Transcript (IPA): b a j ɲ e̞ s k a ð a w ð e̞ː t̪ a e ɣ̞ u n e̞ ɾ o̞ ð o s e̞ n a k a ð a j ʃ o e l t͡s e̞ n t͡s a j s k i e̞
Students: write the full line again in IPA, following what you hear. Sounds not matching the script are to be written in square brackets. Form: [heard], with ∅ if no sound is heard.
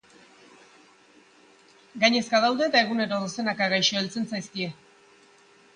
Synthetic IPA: [ɡ] a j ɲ e̞ s k a ð a w ð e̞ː t̪ a e ɣ̞ u n e̞ ɾ o̞ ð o s e̞ n a k a [ɣ] a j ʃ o e l t͡s e̞ n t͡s a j s k i e̞